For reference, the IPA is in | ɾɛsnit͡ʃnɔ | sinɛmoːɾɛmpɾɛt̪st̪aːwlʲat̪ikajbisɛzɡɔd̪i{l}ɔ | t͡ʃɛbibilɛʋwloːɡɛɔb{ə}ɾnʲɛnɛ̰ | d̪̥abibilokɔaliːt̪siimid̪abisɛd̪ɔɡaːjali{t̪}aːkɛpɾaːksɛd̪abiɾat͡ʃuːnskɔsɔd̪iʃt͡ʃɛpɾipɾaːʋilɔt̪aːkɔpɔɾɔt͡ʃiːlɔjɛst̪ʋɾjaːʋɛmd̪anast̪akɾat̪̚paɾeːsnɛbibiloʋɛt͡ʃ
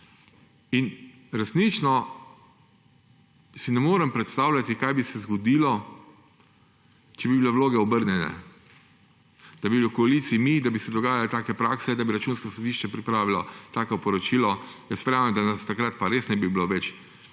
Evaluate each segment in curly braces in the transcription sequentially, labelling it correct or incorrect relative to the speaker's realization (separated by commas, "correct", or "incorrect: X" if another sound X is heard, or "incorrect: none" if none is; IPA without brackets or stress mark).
correct, correct, correct